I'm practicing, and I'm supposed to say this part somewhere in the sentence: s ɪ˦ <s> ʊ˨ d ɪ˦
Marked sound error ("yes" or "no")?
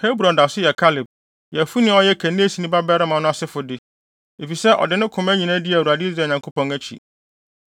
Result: yes